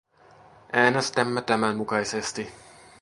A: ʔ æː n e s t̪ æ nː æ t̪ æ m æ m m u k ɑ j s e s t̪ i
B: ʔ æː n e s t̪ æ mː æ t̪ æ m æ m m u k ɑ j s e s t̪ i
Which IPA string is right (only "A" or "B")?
B